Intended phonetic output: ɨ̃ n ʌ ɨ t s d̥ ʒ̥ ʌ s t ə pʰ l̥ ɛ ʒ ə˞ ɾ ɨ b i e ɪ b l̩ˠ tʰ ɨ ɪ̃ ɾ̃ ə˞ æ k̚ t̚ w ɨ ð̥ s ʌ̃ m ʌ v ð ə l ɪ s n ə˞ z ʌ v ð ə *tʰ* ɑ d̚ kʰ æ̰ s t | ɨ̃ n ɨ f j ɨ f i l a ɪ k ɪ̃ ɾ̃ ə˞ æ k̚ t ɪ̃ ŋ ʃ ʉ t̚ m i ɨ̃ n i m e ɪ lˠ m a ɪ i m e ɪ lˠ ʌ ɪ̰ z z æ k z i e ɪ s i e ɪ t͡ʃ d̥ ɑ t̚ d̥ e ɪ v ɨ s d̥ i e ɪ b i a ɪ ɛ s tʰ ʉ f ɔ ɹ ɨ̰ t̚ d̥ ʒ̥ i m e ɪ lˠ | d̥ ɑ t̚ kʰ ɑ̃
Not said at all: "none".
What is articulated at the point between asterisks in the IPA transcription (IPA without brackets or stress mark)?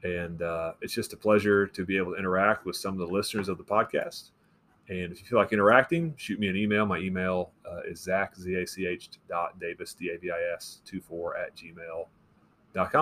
pʰ